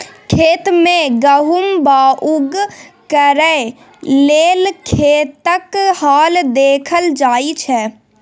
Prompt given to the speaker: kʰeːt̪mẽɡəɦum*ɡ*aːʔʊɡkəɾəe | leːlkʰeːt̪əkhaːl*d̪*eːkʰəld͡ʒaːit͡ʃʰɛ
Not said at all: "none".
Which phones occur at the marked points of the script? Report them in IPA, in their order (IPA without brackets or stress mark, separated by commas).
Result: b, d̪